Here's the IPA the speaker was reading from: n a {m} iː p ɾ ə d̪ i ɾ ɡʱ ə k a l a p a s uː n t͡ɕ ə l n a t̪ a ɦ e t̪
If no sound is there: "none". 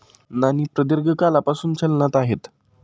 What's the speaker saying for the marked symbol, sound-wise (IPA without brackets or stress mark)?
n